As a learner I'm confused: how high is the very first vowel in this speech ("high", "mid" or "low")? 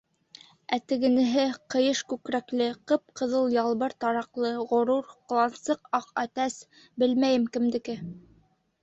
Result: low